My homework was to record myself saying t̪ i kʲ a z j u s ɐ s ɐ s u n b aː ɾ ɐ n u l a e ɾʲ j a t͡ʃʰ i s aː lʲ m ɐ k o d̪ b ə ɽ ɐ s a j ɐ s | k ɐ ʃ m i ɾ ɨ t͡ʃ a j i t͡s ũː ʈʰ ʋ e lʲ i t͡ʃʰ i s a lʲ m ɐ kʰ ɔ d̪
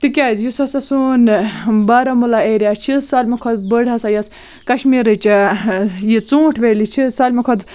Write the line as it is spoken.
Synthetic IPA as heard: t̪ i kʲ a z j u s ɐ s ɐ s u n b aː ɾ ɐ m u l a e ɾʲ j a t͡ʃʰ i s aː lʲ m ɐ kʰ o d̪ b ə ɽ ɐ s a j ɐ s | k ɐ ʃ m i ɾ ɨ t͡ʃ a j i t͡s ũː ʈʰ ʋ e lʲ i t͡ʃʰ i s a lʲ m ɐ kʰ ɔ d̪